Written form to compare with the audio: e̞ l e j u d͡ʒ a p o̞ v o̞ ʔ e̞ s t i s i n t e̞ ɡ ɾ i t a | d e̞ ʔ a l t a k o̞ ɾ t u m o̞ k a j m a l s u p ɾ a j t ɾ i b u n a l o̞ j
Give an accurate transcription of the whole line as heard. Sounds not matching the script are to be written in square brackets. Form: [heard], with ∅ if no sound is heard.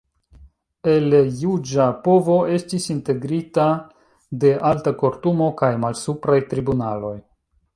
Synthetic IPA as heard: e̞ l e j u d͡ʒ a p o̞ v o̞ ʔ e̞ s t i s i n t e̞ ɡ ɾ i t a | d e̞ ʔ a l t a k o̞ ɾ t u m o̞ k a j m a l s u p ɾ a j t ɾ i b u n a l o̞ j